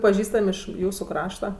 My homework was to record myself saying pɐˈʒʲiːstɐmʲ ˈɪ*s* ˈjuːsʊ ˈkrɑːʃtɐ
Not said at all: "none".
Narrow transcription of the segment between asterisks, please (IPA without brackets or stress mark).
ʃ